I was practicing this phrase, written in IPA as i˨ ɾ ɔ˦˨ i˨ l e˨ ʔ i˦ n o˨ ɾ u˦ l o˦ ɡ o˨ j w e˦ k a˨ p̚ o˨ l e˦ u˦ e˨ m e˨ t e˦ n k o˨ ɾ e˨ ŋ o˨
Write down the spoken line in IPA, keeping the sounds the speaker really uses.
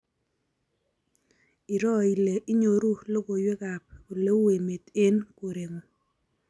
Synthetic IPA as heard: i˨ ɾ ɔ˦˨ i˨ l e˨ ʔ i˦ ɲ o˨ ɾ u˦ l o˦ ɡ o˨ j w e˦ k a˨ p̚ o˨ l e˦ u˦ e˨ m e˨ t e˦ n k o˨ ɾ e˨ ŋ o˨